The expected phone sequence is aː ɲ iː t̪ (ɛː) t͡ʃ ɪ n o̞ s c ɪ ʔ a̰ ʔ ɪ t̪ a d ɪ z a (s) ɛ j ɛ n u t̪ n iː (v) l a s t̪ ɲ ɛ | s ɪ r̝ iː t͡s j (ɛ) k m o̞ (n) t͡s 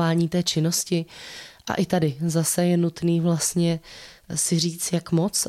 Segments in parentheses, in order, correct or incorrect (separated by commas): correct, correct, correct, incorrect, incorrect